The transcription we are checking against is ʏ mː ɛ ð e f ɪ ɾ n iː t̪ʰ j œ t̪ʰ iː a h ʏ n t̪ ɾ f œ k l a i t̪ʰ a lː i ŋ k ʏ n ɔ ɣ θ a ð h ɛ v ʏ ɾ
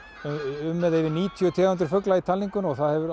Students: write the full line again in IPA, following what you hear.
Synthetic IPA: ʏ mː ɛ ð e v ɪ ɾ n iː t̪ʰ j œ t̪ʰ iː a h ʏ n t̪ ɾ f œ k l a i t̪ʰ a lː i ŋ k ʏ n ɔ ɣ θ a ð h ɛ v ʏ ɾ